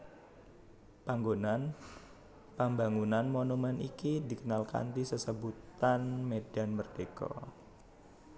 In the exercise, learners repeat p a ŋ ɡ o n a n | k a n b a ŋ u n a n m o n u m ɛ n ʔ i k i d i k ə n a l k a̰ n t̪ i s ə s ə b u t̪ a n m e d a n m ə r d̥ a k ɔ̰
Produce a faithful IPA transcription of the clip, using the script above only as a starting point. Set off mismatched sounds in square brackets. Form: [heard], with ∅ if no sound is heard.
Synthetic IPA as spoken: p a ŋ ɡ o n a n | [p] a [m] b a ŋ u n a n m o n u m ɛ n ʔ i k i d i k ə n a l k a̰ n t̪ i s ə s ə b u t̪ a n m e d a n m ə r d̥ [e] k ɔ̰